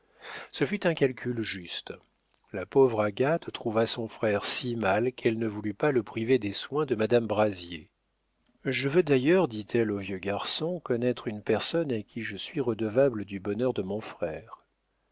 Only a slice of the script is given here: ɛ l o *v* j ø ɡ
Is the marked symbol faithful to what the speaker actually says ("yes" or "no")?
yes